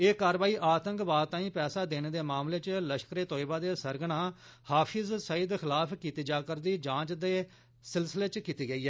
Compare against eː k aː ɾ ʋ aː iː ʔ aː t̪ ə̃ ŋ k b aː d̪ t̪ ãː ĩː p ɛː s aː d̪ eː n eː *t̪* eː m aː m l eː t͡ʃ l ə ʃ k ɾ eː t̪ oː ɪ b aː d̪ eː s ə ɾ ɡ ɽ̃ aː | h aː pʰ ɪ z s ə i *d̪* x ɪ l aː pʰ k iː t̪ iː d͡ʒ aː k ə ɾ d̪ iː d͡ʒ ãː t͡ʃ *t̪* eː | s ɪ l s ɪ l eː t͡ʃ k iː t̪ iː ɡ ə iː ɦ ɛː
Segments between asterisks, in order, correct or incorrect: incorrect: d̪, correct, incorrect: d̪

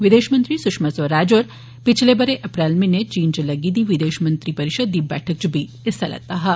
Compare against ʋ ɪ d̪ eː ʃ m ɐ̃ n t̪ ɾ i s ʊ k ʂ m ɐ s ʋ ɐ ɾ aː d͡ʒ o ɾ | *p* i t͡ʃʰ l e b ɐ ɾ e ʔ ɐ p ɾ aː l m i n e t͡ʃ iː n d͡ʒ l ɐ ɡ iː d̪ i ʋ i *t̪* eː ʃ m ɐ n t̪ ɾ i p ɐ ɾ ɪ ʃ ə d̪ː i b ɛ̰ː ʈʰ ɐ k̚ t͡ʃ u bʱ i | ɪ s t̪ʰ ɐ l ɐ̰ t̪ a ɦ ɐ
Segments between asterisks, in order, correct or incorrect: correct, incorrect: d̪

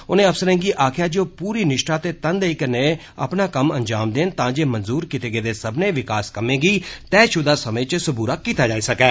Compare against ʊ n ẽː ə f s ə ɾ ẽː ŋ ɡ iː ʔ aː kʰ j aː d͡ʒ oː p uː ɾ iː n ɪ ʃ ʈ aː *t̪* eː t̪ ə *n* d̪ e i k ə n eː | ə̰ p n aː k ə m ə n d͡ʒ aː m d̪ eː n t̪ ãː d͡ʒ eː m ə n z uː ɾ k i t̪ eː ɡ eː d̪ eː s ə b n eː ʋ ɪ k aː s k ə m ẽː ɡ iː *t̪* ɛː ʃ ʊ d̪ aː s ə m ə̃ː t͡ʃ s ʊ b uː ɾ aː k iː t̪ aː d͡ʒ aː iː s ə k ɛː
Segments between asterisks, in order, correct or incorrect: correct, correct, correct

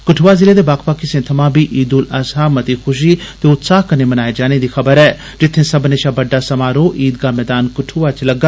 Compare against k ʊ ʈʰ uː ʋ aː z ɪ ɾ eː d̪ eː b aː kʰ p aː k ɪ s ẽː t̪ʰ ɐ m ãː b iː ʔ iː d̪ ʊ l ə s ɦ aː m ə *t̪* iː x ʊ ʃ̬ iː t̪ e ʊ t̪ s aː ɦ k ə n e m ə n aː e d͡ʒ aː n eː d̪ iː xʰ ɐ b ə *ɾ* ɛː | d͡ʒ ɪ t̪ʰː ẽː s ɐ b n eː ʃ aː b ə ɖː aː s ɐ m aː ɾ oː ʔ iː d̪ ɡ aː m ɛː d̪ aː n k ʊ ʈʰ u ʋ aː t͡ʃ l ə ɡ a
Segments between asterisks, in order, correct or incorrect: correct, correct

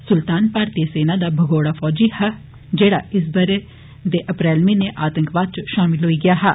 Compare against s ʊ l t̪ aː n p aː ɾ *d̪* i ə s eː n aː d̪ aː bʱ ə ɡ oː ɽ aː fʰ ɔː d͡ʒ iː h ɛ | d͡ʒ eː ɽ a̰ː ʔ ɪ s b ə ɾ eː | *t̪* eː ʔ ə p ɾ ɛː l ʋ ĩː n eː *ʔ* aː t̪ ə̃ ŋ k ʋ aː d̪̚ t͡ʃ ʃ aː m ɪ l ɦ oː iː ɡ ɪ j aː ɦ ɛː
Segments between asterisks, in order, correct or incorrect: incorrect: t̪, incorrect: d̪, correct

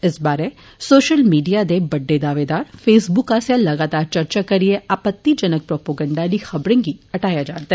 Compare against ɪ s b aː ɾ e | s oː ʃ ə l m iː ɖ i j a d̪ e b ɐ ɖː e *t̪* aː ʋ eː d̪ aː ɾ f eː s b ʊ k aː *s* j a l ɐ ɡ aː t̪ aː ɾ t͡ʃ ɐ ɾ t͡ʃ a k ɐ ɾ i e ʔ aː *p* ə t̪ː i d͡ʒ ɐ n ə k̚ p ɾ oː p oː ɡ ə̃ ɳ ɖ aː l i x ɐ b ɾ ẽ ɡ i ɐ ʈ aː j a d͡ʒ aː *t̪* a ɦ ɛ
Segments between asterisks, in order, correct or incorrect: incorrect: d̪, correct, correct, correct

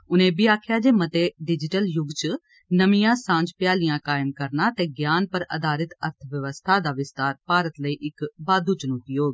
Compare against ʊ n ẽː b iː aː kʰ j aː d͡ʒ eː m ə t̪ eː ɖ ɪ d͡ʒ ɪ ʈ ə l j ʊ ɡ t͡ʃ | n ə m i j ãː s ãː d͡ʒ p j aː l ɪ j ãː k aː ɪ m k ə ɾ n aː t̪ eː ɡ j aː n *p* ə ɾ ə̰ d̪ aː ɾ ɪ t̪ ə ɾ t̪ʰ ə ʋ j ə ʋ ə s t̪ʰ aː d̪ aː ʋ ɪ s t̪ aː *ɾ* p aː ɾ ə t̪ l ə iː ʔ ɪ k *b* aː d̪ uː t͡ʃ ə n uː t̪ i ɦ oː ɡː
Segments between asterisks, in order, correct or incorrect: correct, correct, correct

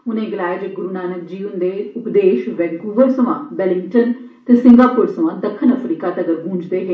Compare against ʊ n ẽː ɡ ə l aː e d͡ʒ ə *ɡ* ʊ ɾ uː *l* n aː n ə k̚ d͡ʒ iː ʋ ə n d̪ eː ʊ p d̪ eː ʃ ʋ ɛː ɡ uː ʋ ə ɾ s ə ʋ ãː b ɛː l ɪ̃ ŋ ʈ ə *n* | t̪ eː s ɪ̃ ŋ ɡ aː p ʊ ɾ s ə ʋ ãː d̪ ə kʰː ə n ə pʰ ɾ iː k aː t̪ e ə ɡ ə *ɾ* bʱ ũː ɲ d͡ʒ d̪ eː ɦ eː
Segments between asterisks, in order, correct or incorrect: correct, incorrect: none, correct, correct

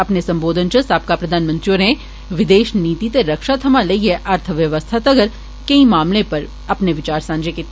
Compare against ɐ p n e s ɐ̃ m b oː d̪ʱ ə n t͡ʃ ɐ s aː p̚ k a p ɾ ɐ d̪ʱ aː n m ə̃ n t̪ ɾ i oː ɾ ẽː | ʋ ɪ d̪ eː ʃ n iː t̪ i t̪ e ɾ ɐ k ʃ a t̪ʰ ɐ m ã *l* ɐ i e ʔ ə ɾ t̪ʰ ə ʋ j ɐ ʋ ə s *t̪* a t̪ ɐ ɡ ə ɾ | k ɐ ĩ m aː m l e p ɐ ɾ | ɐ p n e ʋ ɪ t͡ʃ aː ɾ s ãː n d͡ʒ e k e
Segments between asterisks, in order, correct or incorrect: correct, incorrect: t̪ʰ

